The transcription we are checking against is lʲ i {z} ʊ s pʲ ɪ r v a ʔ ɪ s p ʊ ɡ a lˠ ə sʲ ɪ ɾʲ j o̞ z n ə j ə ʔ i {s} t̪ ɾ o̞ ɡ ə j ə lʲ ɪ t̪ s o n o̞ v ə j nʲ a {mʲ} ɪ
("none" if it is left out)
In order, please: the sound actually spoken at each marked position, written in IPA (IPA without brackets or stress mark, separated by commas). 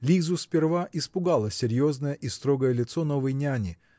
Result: z, s, nʲ